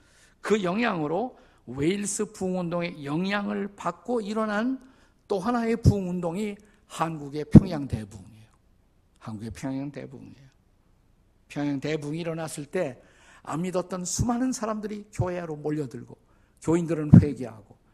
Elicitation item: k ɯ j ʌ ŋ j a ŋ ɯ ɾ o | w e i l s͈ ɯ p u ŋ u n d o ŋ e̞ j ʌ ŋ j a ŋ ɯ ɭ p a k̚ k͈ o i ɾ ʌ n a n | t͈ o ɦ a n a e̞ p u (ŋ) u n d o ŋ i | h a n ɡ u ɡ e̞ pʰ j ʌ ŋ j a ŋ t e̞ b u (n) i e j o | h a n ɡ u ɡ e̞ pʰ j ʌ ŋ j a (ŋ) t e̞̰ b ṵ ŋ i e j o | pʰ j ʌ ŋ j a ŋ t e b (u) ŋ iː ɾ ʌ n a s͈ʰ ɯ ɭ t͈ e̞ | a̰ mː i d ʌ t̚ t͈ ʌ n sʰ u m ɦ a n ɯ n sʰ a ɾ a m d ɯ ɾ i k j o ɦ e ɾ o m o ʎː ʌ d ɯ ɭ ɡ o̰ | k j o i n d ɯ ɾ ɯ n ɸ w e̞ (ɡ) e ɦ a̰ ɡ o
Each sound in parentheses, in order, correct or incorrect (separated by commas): correct, incorrect, correct, correct, correct